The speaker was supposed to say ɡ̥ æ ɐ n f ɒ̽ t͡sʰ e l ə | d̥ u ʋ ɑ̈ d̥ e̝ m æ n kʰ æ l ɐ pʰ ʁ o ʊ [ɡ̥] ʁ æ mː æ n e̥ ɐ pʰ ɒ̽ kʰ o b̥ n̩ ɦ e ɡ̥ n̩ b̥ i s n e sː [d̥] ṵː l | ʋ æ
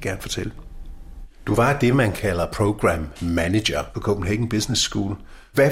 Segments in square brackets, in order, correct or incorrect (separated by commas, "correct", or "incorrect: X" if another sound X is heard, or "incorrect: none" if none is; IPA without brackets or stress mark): correct, incorrect: ɡ̥